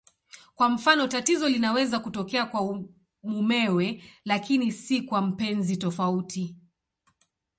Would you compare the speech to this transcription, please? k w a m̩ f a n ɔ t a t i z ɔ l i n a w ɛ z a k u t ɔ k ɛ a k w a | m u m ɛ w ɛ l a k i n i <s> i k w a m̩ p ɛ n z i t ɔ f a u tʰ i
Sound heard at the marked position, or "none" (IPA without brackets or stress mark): s